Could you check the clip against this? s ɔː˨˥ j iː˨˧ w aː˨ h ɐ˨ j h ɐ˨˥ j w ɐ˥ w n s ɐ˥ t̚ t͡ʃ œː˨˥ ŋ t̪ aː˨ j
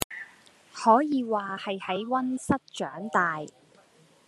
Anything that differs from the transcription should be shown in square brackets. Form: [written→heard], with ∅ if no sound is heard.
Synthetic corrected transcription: [s→h] ɔː˨˥ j iː˨˧ w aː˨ h ɐ˨ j h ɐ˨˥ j w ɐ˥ [w→∅] n s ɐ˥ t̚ t͡ʃ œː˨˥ ŋ t̪ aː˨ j